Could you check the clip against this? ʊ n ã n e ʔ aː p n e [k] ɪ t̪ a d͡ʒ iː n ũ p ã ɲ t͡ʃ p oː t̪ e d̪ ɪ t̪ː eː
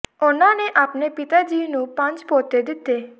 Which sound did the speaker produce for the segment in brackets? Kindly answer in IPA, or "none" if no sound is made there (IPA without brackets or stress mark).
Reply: p